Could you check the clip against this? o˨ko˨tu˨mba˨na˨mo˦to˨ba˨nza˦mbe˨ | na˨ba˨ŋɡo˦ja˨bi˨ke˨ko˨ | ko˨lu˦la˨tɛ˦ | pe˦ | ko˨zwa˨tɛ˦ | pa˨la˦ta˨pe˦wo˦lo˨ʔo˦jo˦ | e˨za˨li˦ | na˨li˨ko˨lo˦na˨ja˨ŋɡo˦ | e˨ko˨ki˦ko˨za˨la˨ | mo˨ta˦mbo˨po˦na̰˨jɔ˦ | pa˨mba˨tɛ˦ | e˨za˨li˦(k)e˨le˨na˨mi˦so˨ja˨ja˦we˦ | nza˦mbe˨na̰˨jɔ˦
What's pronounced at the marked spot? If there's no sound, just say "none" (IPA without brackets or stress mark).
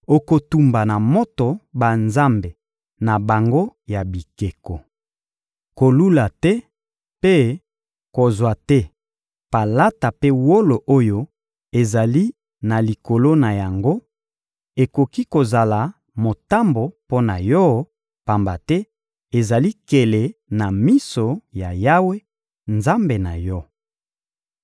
k